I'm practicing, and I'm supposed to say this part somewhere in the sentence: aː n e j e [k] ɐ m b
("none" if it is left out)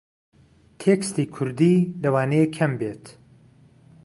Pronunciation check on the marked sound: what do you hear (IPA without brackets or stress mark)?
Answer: kʰ